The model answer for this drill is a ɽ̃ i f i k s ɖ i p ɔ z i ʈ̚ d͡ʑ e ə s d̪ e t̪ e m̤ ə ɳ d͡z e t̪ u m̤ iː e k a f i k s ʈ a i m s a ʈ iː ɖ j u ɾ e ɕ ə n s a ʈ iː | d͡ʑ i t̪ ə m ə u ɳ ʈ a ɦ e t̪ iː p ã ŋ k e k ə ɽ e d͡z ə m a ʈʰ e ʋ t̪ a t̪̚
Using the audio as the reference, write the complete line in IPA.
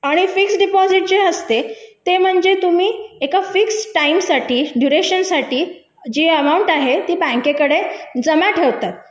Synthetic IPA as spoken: a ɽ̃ i f i k s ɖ i p ɔ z i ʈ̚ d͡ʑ e ə s t̪ e t̪ e m̤ ə ɳ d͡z e t̪ u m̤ iː e k a f i k s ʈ a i m s a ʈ iː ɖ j u ɾ e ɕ ə n s a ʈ iː | d͡ʑ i ə m a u ɳ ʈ a ɦ e t̪ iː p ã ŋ k e k ə ɽ e d͡z ə m a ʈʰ e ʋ t̪ a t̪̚